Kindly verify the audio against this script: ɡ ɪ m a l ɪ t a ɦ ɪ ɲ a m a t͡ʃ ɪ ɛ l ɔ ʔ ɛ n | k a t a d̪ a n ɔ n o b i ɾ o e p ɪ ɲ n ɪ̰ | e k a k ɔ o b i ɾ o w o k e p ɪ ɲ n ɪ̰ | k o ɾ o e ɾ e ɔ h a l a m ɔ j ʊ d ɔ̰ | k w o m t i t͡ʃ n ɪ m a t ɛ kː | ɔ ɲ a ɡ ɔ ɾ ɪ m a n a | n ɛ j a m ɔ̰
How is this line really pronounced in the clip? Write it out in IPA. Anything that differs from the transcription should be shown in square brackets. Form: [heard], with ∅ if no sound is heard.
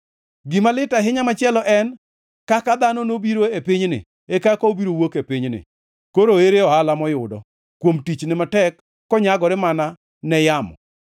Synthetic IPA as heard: ɡ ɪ m a l ɪ t a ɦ ɪ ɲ a m a t͡ʃ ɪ ɛ l ɔ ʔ ɛ n | k a [k] a d̪ a n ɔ n o b i ɾ o e p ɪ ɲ n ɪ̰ | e k a k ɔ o b i ɾ o w o k e p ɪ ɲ n ɪ̰ | k o ɾ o e ɾ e ɔ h a l a m ɔ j ʊ d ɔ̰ | k w o m t i t͡ʃ n ɪ m a t ɛ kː | ɔ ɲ a ɡ ɔ ɾ ɪ m a n a | n ɛ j a m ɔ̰